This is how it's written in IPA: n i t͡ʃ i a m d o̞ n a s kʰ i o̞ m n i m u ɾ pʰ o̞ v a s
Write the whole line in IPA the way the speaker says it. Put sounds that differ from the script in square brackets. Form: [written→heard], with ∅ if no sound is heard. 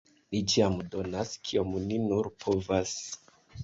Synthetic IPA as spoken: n i t͡ʃ i a m d o̞ n a s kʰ i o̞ m n i [m→n] u ɾ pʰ o̞ v a s